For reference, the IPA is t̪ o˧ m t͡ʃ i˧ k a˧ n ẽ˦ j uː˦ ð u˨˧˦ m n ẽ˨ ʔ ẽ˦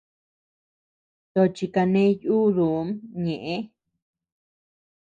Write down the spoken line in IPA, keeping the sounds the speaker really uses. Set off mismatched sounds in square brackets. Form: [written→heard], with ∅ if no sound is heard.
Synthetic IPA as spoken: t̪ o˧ [m→∅] t͡ʃ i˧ k a˧ n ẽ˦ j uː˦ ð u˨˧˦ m [n→ɲ] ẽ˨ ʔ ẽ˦